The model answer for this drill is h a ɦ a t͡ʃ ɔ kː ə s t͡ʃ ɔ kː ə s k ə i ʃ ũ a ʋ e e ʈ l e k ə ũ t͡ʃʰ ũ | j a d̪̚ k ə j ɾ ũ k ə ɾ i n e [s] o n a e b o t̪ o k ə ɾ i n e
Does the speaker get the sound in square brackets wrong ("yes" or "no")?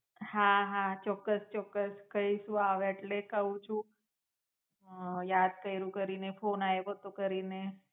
yes